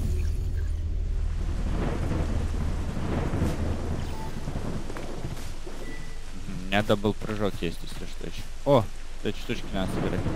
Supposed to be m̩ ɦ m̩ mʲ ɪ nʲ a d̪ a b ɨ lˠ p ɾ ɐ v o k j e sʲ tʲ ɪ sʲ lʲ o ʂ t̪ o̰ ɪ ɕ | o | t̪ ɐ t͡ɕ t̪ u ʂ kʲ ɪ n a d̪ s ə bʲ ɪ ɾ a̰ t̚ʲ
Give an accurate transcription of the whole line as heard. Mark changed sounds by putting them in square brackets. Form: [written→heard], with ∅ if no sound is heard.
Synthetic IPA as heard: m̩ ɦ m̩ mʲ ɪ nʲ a d̪ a b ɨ lˠ p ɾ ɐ [v→ʐ] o k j e sʲ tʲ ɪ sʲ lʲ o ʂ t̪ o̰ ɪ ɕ | o | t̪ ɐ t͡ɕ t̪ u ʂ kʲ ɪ n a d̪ s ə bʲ ɪ ɾ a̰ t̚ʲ